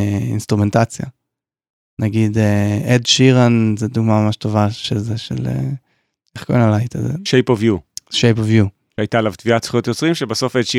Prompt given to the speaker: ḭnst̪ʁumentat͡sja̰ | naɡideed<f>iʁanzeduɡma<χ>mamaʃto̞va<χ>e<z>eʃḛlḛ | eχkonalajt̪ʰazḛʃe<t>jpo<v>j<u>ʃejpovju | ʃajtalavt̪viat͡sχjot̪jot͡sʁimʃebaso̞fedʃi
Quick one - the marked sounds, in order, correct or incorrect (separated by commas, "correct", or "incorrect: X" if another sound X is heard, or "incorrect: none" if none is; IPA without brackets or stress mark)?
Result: incorrect: ʃ, incorrect: none, incorrect: ʃ, correct, incorrect: none, correct, correct